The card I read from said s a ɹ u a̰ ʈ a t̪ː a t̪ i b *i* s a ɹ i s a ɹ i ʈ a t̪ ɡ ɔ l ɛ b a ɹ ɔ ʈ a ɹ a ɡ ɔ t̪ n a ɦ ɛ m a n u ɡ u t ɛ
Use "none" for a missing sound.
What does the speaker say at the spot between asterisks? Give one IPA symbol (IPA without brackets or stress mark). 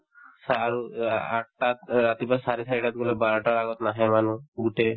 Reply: a